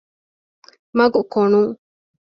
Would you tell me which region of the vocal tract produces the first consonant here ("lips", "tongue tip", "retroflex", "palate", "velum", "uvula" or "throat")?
lips